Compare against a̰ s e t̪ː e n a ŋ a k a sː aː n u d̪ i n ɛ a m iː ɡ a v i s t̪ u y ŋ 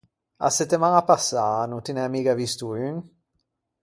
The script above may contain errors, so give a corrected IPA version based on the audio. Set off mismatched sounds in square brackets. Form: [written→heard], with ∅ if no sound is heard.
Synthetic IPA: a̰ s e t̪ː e [n→m] a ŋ a [k→p] a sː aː n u [d̪→t̪] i n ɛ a m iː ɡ a v i s t̪ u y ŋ